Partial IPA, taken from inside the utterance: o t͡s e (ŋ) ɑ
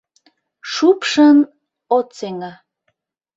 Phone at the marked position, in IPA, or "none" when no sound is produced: ŋ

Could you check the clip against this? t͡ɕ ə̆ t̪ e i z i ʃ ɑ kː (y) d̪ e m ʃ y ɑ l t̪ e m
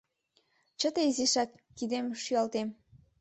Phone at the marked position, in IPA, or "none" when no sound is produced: i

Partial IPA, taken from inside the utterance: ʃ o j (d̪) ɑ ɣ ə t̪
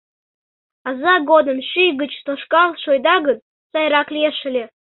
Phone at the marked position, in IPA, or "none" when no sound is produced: d̪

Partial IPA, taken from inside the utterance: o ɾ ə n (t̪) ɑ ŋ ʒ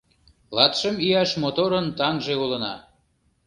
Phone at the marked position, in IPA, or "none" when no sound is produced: t̪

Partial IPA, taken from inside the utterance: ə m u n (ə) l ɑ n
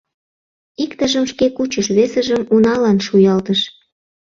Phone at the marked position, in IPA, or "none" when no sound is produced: ɑ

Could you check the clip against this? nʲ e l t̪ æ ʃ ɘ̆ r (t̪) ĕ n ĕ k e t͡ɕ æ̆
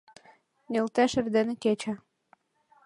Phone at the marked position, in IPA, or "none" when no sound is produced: d̪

